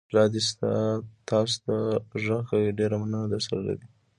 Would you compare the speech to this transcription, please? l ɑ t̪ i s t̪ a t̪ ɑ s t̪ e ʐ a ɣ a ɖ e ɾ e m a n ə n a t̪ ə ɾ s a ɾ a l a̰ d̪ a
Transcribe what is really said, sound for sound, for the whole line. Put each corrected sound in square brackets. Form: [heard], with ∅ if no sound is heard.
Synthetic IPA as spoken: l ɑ [d̪] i s t̪ a t̪ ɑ s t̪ [a] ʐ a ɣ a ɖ e ɾ [a] m a n ə n a [d̪] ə ɾ s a ɾ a l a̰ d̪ [i]

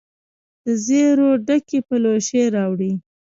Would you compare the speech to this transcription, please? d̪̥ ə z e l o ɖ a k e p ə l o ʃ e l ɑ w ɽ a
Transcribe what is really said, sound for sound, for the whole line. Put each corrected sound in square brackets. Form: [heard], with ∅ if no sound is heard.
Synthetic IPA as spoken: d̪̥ ə z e [ɾ] o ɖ a k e p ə l o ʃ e [ɾ] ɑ w ɽ [i]

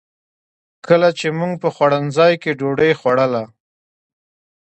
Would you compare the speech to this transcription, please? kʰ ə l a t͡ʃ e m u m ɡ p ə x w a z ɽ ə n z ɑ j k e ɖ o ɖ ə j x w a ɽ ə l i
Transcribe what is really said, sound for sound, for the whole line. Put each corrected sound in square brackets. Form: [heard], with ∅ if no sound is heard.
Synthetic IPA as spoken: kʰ ə l a t͡ʃ e m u [ŋ] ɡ p ə x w a [∅] ɽ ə n z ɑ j k e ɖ o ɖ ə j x w a ɽ ə l [a]

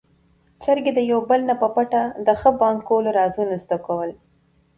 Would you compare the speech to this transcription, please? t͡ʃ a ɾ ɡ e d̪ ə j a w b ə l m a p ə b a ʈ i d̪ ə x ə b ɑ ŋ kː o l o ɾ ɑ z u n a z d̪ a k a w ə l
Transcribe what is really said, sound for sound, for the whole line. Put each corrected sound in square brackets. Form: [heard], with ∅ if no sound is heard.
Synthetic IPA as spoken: t͡ʃ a ɾ ɡ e d̪ ə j a w b ə l [n] a p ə [p] a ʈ [a] d̪ ə x ə b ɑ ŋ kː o l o ɾ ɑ z u n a z d̪ a k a w ə l

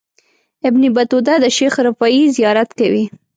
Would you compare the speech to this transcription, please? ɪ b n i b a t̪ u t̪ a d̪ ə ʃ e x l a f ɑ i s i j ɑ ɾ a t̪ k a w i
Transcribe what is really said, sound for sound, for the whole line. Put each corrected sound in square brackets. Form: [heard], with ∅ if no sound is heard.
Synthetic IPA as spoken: ɪ b n i b a t̪ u [d̪] a d̪ ə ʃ e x [ɾ] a f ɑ i [z] i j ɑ ɾ a t̪ k a w i

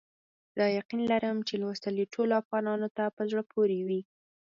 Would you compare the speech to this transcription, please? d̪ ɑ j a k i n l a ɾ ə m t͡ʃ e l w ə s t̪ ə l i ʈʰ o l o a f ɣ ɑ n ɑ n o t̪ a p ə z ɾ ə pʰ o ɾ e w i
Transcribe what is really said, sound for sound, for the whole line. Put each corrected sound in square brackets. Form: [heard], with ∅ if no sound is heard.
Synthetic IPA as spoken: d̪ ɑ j a [q] i n l a ɾ ə m t͡ʃ e l w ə s t̪ ə l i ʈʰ o l o a f ɣ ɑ n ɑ n o t̪ a p ə z [ɽ] ə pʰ o ɾ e w i

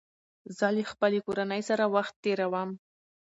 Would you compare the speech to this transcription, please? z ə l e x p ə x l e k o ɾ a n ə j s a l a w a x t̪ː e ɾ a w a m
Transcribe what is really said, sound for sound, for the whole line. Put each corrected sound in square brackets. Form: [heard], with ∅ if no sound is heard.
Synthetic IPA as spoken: z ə l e x p ə [∅] l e k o ɾ a n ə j s a [ɾ] a w a x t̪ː e ɾ a w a m

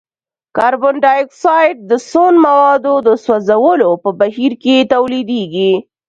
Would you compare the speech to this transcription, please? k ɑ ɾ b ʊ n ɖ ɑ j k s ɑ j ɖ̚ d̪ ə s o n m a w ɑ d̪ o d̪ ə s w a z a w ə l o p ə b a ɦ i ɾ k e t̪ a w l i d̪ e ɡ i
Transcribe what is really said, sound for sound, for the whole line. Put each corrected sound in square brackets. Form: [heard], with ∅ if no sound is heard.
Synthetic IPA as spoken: k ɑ ɾ b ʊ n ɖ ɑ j k s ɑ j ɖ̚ d̪ ə s o n m a w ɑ d̪ o d̪ ə s w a z a w ə l o p ə b a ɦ i ɾ k e t̪ a w l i d̪ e ɡ i

